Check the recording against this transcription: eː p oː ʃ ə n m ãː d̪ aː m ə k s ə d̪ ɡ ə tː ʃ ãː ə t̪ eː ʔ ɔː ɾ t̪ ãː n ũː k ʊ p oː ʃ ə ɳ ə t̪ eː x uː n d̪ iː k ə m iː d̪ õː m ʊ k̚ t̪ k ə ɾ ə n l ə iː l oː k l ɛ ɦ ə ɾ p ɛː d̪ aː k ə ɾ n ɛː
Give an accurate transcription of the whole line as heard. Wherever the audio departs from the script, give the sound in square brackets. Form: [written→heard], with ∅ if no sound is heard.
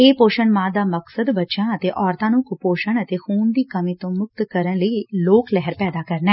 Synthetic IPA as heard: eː p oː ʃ ə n m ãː d̪ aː m ə k s ə d̪ [ɡ→b] ə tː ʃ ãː ə t̪ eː ʔ ɔː ɾ t̪ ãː n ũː k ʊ p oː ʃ ə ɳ ə t̪ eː x uː n d̪ iː k ə m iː [d̪→t̪] õː m ʊ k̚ t̪ k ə ɾ ə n l ə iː l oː k l ɛ ɦ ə ɾ p ɛː d̪ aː k ə ɾ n ɛː